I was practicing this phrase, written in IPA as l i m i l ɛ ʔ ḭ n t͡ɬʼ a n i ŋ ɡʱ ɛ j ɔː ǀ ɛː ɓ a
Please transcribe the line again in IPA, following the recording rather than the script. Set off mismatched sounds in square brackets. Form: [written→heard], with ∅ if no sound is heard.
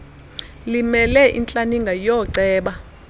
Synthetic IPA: l i m [i→ɛ] l ɛ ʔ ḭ n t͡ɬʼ a n i ŋ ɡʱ [ɛ→a] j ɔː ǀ ɛː ɓ a